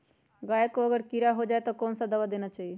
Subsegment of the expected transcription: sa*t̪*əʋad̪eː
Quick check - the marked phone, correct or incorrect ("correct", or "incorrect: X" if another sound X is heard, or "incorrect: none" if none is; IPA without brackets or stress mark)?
incorrect: d̪